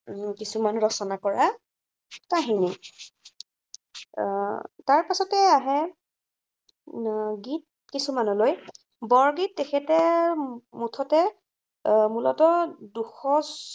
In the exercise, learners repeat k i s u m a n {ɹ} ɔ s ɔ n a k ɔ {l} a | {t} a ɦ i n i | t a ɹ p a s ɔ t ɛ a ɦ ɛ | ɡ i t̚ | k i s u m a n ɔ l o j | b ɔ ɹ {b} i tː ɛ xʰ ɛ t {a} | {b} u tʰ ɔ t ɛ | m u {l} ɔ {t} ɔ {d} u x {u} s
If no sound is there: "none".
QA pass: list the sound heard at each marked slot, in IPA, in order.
ɹ, ɹ, t, ɡ, ɛ, m, l, t, d, ɔ

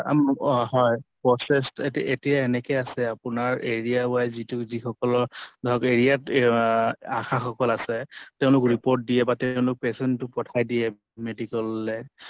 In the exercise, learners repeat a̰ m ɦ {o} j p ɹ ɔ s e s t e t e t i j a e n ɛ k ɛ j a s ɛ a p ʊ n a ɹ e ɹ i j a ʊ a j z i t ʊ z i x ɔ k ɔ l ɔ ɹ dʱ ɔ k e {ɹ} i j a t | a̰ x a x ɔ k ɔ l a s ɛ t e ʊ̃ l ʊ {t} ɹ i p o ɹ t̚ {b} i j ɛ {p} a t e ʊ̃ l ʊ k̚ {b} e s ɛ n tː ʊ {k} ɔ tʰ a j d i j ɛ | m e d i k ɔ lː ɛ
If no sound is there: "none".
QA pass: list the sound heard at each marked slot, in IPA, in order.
ɔ, ɹ, k, d, b, p, p

